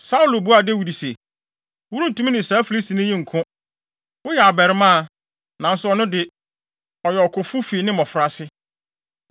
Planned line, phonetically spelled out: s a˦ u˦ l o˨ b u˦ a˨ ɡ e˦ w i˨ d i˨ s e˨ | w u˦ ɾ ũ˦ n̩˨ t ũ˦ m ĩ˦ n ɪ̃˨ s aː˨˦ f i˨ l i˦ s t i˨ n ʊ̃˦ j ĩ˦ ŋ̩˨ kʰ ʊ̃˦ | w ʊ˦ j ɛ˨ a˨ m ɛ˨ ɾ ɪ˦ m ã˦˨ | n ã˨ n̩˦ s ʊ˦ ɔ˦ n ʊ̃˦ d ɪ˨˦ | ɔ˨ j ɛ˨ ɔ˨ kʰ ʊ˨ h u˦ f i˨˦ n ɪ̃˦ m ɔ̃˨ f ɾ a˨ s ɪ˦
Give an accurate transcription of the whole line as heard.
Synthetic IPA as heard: s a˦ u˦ l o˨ b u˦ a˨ d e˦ w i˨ d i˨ s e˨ | w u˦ ɾ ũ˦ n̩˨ t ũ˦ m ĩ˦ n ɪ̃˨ s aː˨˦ f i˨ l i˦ s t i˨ n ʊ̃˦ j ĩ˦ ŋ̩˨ kʰ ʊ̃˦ | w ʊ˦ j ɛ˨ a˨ b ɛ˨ ɾ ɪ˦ m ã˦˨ | n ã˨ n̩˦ s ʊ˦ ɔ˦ n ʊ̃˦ d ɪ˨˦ | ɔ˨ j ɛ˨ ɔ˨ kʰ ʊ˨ f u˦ f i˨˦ n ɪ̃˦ m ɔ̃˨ f ɾ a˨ s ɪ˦